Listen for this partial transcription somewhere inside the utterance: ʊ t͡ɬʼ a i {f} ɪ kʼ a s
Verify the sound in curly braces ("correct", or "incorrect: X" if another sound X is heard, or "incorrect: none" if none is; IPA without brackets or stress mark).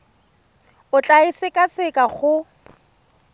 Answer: incorrect: s